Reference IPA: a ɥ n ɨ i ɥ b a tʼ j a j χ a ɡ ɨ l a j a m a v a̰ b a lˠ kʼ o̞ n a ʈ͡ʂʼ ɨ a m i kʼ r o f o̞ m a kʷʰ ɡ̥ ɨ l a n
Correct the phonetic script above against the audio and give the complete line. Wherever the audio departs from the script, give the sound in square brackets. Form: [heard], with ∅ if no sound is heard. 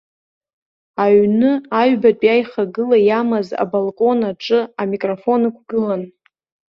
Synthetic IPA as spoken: a ɥ n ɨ [a] ɥ b a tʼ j a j χ a ɡ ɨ l a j a m a [z] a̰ b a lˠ kʼ o̞ n a ʈ͡ʂʼ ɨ a m i kʼ r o f o̞ [n] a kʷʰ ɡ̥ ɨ l a n